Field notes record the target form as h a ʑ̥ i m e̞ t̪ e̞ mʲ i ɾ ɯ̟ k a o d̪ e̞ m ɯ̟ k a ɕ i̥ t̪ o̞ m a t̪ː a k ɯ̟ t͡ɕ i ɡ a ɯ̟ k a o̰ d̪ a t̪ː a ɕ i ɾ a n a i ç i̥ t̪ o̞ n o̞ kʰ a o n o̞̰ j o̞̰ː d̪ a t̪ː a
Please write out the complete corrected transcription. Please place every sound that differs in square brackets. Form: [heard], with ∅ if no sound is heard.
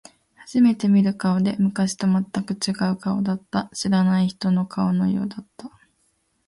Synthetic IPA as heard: h a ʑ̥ i m e̞ t̪ e̞ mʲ i ɾ ɯ̟ k a o d̪ e̞ m ɯ̟ k a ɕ i̥ t̪ o̞ m a t̪ː a k ɯ̟ t͡ɕ i ɡ a ɯ̟ k a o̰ d̪ a t̪ː a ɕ i ɾ a n a i ç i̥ t̪ o̞ n o̞ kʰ a o n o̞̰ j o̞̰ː d̪ a t̪ː a